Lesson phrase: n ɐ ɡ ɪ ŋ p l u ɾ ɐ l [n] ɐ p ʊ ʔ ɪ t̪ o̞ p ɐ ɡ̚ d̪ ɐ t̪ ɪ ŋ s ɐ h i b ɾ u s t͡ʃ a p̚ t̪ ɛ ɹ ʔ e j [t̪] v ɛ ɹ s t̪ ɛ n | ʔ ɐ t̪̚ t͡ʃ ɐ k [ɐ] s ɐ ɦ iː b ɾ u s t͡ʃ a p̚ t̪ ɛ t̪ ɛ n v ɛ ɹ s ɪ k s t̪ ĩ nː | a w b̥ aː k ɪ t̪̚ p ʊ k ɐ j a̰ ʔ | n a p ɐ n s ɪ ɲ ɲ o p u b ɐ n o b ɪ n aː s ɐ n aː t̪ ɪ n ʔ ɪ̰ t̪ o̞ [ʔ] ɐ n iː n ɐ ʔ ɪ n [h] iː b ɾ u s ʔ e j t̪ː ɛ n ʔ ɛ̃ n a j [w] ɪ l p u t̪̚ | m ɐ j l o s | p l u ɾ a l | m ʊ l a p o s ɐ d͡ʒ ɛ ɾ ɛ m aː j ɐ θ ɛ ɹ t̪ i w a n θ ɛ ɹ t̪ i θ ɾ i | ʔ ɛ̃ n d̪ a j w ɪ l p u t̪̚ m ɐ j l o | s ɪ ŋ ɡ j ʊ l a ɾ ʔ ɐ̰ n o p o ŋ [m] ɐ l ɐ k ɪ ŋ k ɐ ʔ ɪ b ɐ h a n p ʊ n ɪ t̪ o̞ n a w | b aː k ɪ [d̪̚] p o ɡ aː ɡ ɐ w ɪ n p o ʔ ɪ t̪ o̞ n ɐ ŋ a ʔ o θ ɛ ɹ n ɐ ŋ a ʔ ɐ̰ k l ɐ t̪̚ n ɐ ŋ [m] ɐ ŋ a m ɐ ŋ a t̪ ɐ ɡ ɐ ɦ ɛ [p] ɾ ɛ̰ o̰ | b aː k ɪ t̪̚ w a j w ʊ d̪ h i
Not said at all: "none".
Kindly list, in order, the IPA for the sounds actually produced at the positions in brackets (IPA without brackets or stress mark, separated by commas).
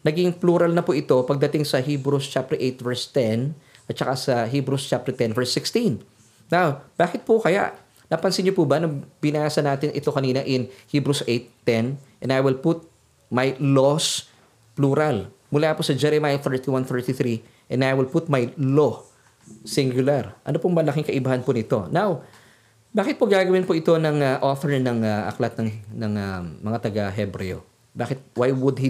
n, t̪, a, k, h, w, m, t̪̚, n, b